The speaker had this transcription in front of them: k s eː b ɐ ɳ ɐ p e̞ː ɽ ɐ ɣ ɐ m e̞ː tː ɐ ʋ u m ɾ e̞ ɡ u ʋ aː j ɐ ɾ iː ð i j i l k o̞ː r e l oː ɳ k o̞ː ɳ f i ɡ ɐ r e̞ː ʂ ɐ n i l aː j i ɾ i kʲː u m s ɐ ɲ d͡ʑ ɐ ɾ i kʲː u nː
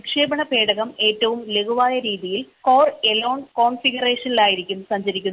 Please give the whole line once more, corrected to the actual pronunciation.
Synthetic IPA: k ʂ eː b ɐ ɳ ɐ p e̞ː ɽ ɐ ɣ ɐ m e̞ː tː ɐ ʋ u m l e̞ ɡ u ʋ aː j ɐ ɾ iː ð i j i l k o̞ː r e l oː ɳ k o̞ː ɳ f i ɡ ɐ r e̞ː ʂ ɐ n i l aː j i ɾ i kʲː u m s ɐ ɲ d͡ʑ ɐ ɾ i kʲː u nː